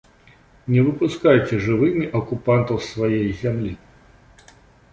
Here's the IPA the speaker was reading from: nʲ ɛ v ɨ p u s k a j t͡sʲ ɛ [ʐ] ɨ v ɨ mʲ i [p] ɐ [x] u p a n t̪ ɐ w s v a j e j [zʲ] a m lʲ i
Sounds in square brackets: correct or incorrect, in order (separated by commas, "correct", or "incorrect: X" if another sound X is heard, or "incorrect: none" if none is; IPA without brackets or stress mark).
correct, incorrect: ʔ, incorrect: k, correct